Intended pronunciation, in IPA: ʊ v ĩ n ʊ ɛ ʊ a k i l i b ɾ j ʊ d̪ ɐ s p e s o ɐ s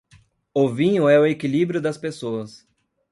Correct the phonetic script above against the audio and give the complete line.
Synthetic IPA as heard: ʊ v ĩ ɲ ʊ ɛ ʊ e k i l i b ɾ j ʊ d̪ ɐ s p e s o ɐ s